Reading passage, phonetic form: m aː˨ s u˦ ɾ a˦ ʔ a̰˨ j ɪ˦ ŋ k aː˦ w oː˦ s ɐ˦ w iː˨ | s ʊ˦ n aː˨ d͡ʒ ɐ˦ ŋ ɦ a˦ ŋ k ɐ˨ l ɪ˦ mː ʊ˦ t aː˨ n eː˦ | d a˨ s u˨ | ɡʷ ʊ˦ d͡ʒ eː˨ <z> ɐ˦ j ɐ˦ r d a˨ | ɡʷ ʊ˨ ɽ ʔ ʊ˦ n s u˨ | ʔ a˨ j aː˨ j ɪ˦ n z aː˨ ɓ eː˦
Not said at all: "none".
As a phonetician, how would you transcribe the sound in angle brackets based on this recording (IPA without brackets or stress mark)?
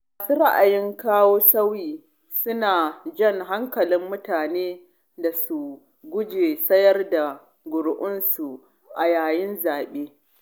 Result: s